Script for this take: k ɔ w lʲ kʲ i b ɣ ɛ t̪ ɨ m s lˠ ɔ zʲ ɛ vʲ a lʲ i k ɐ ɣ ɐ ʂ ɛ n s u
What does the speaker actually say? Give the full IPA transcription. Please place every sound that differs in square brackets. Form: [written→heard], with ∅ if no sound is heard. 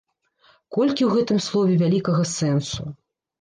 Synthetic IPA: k ɔ [w→∅] lʲ kʲ i [b→w] ɣ ɛ t̪ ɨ m s lˠ ɔ [zʲ→vʲ] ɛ vʲ a lʲ i k ɐ ɣ ɐ [ʂ→s] ɛ n s u